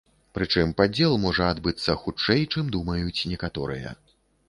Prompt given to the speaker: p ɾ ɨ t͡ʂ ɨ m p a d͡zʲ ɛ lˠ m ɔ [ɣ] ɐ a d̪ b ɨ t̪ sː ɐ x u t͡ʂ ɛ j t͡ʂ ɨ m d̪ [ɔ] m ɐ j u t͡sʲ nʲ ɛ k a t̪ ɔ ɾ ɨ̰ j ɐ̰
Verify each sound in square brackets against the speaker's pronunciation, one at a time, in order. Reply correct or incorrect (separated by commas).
incorrect, incorrect